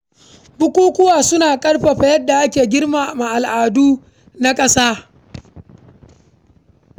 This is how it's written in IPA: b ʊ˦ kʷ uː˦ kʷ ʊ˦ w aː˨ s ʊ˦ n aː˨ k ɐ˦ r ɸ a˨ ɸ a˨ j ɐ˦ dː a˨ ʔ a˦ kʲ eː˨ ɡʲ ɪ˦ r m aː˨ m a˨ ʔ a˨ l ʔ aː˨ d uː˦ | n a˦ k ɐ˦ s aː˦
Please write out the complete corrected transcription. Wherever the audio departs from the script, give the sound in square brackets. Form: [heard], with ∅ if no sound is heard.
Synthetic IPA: b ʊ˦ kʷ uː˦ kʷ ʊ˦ w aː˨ s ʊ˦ n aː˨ [kʼ] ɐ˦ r ɸ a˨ ɸ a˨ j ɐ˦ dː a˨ ʔ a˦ kʲ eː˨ ɡʲ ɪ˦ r m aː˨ m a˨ ʔ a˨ l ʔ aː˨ d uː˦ | n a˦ [kʼ] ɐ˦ s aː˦